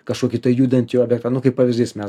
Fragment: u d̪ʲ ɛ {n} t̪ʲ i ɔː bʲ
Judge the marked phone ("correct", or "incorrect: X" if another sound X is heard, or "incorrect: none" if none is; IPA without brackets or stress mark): correct